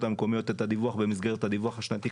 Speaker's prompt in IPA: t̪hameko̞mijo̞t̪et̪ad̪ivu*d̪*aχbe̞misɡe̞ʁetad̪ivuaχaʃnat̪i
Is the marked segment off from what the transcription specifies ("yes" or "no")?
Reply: yes